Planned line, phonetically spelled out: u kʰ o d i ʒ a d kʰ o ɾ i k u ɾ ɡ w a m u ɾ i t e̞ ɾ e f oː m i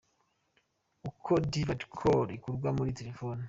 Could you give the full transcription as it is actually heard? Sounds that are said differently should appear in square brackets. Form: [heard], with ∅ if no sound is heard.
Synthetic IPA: u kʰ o d i [v] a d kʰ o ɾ i k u ɾ ɡ w a m u ɾ i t e̞ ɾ e f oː [n] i